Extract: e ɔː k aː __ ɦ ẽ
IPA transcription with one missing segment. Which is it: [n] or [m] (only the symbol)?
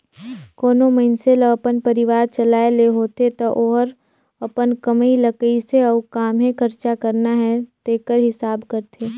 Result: m